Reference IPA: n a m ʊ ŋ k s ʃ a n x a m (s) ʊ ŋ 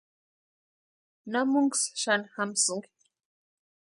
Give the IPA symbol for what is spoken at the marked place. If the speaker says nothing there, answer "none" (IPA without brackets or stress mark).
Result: s